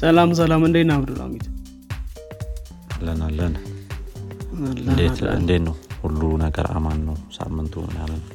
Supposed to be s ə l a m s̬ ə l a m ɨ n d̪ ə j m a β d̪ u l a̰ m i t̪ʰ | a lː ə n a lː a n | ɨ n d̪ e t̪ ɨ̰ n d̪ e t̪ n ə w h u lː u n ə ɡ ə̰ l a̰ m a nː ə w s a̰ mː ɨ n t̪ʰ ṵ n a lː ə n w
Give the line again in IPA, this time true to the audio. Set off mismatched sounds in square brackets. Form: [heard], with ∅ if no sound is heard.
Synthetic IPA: s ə l a m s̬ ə l a m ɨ n d̪ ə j [n] a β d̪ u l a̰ m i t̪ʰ | a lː ə n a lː [ə] n | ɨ n d̪ e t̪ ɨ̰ n d̪ e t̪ n ə w h u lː u n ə ɡ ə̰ [ɾ] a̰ m a nː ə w s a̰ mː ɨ n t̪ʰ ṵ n a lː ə n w